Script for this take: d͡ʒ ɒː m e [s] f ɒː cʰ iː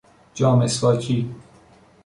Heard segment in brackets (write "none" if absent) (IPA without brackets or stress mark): s